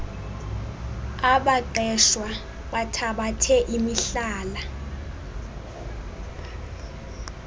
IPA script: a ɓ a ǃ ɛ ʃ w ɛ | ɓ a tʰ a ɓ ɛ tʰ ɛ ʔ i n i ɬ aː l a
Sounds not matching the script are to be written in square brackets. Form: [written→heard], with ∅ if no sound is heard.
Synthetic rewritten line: a ɓ a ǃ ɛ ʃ w [ɛ→a] | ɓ a tʰ a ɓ [ɛ→a] tʰ ɛ ʔ i [n→m] i ɬ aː l a